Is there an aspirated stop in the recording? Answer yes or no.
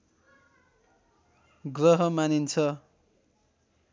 yes